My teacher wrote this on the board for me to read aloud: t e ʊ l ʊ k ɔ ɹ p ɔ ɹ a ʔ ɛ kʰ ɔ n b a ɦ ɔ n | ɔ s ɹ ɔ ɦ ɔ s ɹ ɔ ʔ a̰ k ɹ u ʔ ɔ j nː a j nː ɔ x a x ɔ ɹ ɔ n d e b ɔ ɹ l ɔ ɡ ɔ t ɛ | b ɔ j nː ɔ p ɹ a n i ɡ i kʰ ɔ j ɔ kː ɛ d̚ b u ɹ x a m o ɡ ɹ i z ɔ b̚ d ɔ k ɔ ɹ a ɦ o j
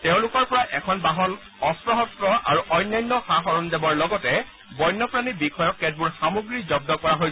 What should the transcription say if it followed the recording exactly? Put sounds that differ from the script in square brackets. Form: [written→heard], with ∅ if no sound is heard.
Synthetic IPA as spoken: t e [ʊ→ʊ̃] l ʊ k ɔ ɹ p ɔ ɹ a ʔ ɛ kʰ ɔ n b a ɦ ɔ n | ɔ s ɹ ɔ ɦ ɔ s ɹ ɔ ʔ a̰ [k→∅] ɹ u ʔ ɔ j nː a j nː ɔ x a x ɔ ɹ ɔ n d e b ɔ ɹ l ɔ ɡ ɔ t ɛ | b ɔ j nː ɔ p ɹ a n i [ɡ→b] i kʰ ɔ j ɔ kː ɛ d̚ b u ɹ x a m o ɡ ɹ i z ɔ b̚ d ɔ k ɔ ɹ a ɦ o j